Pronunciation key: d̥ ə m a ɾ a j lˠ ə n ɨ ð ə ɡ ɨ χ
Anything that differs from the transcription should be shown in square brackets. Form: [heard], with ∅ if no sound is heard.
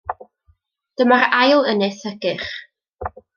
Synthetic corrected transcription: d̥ ə m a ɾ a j lˠ ə n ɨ [θ] ə ɡ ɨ χ

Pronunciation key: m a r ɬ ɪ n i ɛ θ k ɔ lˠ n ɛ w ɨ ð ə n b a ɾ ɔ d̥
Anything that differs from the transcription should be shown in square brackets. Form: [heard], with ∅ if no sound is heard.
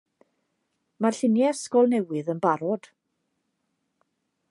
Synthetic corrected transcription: m a r ɬ ɪ n [j] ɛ [s] k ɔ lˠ n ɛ w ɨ ð ə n b a ɾ ɔ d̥

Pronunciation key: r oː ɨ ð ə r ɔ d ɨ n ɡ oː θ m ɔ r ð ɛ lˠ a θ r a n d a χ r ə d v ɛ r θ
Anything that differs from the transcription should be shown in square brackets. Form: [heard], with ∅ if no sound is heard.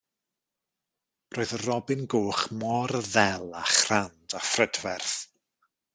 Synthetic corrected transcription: r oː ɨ ð ə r ɔ [b] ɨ n ɡ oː [χ] m ɔ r ð ɛ lˠ a [χ] r a n d a [f] r ə d v ɛ r θ

